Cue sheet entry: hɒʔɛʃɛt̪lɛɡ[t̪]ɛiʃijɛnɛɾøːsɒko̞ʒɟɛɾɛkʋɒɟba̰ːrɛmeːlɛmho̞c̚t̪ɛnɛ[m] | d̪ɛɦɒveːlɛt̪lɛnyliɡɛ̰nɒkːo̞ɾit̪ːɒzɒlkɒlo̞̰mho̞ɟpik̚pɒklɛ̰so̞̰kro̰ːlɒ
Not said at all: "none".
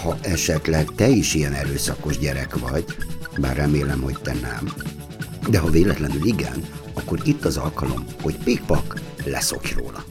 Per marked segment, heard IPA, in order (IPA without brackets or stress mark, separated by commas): t̪, m